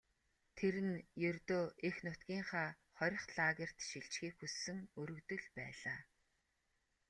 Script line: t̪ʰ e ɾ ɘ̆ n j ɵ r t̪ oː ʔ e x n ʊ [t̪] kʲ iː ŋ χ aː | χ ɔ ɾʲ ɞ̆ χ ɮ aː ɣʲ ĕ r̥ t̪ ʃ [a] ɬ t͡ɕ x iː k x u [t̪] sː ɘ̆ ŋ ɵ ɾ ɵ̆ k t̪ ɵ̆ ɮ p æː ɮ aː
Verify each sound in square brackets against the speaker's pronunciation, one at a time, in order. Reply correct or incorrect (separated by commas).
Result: correct, incorrect, incorrect